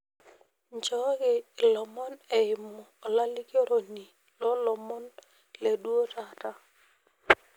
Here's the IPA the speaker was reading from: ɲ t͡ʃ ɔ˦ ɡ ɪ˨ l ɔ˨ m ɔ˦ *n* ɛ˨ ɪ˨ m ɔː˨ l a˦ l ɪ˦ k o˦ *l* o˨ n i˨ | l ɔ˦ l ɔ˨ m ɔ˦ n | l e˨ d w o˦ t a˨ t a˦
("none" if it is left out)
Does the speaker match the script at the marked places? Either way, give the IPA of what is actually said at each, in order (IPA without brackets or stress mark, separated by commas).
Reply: n, ɾ